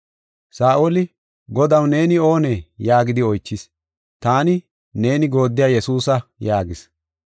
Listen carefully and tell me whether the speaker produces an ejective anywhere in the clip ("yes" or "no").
no